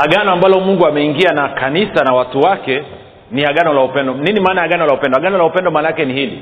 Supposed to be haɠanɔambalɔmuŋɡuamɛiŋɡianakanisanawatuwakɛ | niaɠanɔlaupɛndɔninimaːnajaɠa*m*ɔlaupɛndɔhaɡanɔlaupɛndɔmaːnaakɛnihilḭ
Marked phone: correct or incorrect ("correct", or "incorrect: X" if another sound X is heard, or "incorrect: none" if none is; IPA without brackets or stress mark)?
incorrect: n